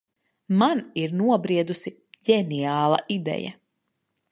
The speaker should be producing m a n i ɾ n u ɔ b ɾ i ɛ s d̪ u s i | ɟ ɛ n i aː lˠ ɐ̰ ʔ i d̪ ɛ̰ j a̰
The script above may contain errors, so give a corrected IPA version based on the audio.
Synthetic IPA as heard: m a n i ɾ n u ɔ b ɾ i ɛ d̪ u s i | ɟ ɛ n i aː lˠ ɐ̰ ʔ i d̪ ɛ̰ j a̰